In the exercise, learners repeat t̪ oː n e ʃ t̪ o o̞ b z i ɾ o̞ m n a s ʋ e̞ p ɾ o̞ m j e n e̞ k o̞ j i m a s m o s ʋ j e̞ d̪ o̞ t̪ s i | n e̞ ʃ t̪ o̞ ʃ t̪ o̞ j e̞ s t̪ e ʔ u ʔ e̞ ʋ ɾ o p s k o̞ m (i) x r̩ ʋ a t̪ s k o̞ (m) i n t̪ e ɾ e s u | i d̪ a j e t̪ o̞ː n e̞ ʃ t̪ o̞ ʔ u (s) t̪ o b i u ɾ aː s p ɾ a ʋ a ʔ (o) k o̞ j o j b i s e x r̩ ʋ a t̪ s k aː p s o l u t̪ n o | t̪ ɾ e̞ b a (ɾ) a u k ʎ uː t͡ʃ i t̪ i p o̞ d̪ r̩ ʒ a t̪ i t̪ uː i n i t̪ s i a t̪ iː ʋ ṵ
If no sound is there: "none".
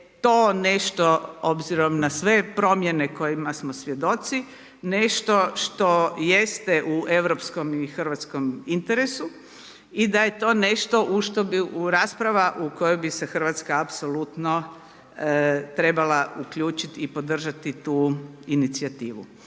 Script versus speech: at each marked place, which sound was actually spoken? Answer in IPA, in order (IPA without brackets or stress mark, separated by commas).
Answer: i, m, ʃ, u, l